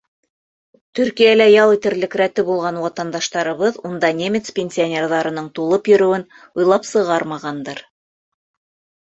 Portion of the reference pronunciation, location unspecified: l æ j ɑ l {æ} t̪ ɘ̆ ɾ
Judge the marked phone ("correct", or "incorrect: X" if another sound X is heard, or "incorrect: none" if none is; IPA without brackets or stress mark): incorrect: i